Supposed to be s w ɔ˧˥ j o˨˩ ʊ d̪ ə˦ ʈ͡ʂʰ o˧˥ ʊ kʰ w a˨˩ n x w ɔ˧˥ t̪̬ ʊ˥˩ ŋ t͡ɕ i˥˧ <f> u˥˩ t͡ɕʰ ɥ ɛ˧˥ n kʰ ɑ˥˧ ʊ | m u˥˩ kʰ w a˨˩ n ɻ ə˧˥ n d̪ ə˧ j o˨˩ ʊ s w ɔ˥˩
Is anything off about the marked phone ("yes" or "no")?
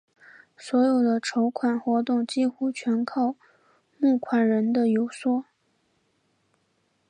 yes